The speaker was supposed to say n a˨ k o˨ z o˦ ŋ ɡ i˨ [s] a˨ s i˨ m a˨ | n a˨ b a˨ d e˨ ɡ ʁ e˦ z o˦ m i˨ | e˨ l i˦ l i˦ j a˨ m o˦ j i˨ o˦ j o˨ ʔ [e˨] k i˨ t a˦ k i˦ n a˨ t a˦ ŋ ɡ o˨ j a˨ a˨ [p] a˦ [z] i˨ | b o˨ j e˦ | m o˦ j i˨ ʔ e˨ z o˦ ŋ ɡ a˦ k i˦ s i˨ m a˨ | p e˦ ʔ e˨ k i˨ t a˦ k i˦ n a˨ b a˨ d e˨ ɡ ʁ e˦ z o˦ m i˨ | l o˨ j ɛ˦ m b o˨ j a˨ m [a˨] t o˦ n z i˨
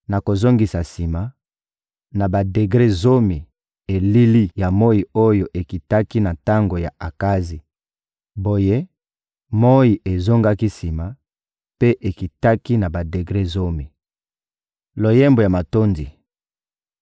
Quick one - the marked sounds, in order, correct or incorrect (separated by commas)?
correct, correct, incorrect, correct, correct